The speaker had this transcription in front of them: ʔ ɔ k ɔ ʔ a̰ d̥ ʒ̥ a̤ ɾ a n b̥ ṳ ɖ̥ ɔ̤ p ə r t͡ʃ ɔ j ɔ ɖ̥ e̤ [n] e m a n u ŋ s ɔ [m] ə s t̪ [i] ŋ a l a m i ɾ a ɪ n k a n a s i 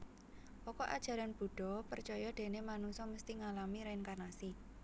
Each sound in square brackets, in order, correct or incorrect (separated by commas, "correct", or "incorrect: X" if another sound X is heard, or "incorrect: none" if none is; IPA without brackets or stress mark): correct, correct, correct